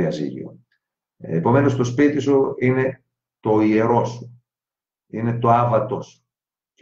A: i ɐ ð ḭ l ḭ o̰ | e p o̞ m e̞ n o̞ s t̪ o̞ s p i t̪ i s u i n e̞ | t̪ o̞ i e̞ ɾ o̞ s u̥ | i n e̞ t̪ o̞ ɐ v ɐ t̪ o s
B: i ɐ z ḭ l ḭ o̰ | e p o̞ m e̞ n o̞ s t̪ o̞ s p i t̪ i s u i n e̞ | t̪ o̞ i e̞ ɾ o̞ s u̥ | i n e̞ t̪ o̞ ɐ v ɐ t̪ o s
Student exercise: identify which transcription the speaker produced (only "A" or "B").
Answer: B